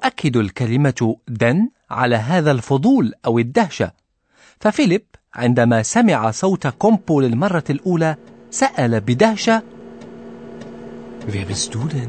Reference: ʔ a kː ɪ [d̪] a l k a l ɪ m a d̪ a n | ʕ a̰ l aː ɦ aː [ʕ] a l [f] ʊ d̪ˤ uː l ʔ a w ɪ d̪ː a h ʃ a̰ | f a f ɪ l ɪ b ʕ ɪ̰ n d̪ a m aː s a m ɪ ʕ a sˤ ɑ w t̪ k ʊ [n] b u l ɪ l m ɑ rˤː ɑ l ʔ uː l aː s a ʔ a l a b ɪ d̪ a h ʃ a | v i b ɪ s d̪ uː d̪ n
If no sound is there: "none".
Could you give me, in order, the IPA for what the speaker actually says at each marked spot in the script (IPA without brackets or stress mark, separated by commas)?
d̪, ð, f, m